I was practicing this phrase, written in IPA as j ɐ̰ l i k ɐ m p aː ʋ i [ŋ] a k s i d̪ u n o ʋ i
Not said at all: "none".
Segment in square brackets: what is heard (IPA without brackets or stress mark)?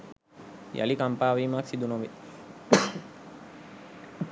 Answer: m